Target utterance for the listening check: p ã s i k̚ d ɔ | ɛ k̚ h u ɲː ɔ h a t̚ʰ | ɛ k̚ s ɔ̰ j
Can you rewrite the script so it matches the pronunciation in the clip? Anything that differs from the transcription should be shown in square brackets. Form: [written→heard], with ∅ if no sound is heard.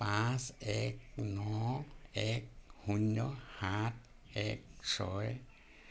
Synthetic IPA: p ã s [i→ɛ] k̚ [d→n] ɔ | ɛ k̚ h u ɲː ɔ h a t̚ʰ | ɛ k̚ s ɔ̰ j